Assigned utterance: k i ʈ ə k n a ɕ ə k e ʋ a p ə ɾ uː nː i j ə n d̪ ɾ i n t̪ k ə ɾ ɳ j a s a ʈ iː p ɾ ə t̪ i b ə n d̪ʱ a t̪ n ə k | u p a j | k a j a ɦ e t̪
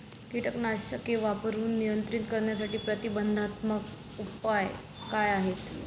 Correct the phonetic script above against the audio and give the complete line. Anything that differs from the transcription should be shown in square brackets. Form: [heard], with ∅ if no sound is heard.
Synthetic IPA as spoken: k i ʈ ə k n a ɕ ə k e ʋ a p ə ɾ uː nː i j ə n [t̪] ɾ i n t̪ k ə ɾ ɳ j a s a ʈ iː p ɾ ə t̪ i b ə n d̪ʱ a t̪ [m] ə k | u p a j | k a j a ɦ e t̪

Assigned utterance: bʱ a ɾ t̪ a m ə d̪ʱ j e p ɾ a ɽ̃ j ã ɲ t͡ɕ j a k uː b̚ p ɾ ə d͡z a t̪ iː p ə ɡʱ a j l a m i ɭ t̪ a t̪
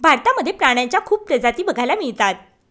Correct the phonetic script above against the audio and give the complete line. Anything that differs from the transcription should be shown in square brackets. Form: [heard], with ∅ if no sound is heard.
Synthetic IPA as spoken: bʱ a ɾ t̪ a m ə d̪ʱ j e p ɾ a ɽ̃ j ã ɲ t͡ɕ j a [kʰ] uː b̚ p ɾ ə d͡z a t̪ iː [b] ə ɡʱ a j l a m i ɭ t̪ a t̪

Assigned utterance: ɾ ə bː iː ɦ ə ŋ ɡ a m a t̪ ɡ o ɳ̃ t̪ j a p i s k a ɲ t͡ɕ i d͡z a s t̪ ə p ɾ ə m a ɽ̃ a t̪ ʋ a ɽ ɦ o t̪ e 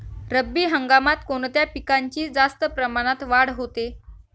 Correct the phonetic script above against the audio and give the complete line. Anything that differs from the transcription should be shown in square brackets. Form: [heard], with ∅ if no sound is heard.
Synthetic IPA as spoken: ɾ ə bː iː ɦ ə ŋ ɡ a m a t̪ [k] o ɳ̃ t̪ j a p i [∅] k a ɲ t͡ɕ [iː] d͡z a s t̪ ə p ɾ ə m a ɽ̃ a t̪ ʋ a ɽ ɦ o t̪ e

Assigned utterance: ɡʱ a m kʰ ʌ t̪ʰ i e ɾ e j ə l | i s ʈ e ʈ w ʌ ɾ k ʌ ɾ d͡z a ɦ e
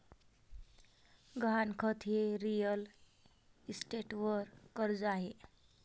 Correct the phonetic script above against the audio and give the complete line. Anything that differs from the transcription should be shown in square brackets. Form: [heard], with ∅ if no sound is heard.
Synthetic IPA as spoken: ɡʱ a [n] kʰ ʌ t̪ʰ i e ɾ [i] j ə l | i s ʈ e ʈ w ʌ ɾ k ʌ ɾ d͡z a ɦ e

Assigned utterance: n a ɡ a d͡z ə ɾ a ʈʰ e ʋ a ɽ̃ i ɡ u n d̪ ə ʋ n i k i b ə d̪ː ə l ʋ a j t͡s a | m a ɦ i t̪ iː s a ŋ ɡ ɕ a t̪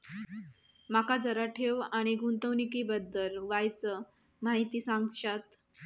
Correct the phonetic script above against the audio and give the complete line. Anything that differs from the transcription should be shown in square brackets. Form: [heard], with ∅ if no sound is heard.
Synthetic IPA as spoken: [m] a [k] a d͡z ə ɾ a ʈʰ e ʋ a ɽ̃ i ɡ u n [t̪] ə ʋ n i k i b ə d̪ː ə l ʋ a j t͡s [ə] | m a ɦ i t̪ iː s a ŋ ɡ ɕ a t̪

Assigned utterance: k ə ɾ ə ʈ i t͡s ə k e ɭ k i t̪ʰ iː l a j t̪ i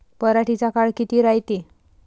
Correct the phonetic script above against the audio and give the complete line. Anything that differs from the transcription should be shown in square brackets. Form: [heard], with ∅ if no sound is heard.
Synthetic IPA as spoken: [p] ə ɾ [a] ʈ i t͡s [a] k [a] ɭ k i [t̪] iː [ɾ] a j t̪ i

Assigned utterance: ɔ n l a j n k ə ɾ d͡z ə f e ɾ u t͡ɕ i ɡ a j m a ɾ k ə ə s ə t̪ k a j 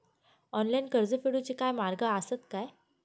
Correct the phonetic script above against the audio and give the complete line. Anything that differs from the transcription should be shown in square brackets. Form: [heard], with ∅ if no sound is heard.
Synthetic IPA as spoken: ɔ n l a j n k ə ɾ d͡z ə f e [ɽ] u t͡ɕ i [k] a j m a ɾ [ɡ] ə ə s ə t̪ k a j

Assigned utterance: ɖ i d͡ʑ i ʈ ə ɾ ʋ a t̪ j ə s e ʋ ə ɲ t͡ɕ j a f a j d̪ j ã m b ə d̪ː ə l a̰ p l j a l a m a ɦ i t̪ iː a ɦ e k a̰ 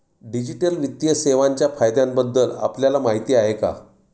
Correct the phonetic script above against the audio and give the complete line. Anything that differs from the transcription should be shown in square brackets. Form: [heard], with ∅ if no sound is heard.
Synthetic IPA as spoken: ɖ i d͡ʑ i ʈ ə [l] ʋ [i] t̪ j ə s e ʋ [a] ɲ t͡ɕ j a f a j d̪ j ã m b ə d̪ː ə l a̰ p l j a l a m a ɦ i t̪ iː a ɦ e k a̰

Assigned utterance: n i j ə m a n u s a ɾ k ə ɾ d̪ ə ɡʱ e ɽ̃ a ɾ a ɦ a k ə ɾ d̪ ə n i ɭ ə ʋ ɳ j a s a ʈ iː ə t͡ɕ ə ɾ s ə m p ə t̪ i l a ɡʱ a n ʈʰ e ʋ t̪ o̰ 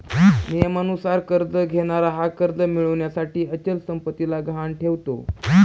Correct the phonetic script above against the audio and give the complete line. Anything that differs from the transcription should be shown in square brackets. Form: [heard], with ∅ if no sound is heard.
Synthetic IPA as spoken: n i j ə m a n u s a ɾ k ə ɾ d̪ ə ɡʱ e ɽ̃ a ɾ a ɦ a k ə ɾ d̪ ə [m] i ɭ ə ʋ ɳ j a s a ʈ iː ə t͡ɕ ə [l] s ə m p ə t̪ i l a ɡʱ a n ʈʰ e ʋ t̪ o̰

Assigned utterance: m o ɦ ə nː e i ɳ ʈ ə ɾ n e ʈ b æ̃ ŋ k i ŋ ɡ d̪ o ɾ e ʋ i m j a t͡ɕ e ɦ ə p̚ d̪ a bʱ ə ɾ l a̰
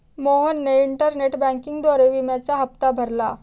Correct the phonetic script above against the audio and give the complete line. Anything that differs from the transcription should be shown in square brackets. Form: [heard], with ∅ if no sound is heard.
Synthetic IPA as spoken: m o ɦ ə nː e i ɳ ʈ ə ɾ n e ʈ b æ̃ ŋ k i ŋ ɡ d̪ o ɾ e ʋ i m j a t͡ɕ [a] ɦ ə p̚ [t̪] a bʱ ə ɾ l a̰

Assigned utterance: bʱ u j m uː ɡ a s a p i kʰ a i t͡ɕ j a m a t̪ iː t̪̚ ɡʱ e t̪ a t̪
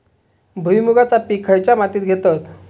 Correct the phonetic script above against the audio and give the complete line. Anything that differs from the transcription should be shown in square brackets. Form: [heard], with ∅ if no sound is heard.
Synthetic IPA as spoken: bʱ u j m [u] ɡ a [t͡s] a p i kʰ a [j] t͡ɕ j a m a t̪ iː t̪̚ ɡʱ e t̪ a t̪

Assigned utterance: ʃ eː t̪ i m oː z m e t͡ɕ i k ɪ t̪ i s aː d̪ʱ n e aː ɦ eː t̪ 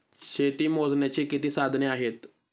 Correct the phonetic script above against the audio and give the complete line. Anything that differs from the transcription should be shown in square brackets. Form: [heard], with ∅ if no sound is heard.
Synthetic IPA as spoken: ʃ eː t̪ i m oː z [n] e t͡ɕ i k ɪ t̪ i s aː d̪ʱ n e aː ɦ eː t̪

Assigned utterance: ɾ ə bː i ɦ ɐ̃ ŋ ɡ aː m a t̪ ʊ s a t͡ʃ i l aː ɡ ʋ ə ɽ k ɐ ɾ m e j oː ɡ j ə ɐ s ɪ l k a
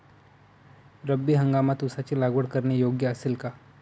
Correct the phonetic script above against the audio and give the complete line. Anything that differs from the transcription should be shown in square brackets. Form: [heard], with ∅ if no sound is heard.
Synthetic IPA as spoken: ɾ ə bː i ɦ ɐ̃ ŋ ɡ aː m a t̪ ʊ s a t͡ʃ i l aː ɡ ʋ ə ɽ k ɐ ɾ [n] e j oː ɡ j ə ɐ s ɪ l k a

